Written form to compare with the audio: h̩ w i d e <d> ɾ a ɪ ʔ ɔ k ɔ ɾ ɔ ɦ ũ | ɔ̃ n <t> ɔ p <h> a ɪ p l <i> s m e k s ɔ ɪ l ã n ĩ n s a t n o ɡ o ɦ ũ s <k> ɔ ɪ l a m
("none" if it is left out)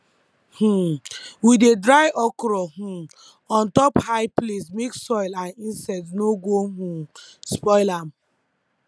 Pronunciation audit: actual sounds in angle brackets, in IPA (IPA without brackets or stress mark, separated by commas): d, t, h, e, p